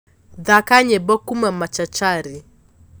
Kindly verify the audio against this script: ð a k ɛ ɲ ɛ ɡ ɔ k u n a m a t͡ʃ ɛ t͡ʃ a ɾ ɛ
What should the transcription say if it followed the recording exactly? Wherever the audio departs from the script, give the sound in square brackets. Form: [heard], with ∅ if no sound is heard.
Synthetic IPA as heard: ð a k [a] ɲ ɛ [b] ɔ k u [m] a m a t͡ʃ [a] t͡ʃ a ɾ [i]